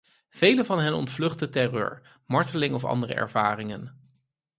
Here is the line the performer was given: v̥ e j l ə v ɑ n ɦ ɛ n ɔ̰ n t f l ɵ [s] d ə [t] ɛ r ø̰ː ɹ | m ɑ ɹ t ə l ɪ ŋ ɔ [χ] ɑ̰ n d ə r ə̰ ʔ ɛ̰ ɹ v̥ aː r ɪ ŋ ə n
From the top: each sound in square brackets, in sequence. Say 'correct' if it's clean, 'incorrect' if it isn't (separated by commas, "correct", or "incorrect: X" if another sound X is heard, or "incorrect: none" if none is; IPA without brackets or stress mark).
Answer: incorrect: χ, correct, incorrect: f